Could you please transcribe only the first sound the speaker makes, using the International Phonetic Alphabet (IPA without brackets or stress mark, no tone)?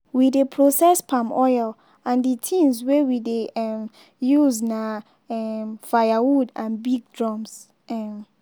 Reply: w